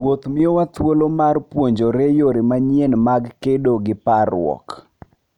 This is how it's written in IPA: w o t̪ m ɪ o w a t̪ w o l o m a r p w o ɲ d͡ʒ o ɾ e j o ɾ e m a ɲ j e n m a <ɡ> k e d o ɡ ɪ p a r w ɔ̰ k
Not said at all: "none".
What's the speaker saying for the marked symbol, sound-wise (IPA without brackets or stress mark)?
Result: ɡ